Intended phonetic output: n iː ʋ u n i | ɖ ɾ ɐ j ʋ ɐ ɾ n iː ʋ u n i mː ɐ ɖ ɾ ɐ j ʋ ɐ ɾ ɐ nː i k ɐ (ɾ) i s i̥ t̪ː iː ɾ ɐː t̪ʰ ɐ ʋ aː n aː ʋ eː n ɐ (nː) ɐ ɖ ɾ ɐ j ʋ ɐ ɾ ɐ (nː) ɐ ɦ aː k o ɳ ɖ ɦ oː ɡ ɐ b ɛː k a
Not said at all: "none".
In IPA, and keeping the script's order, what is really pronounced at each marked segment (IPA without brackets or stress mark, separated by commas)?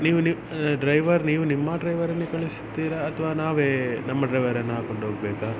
ɭ, mː, nː